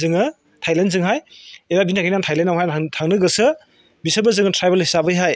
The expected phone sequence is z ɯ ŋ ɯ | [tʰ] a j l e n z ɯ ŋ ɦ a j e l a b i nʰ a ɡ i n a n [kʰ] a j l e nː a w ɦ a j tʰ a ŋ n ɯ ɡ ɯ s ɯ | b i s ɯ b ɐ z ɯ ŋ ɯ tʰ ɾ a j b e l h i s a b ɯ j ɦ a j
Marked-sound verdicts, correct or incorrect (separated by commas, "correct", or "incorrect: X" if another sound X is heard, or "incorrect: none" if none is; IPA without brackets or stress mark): correct, incorrect: tʰ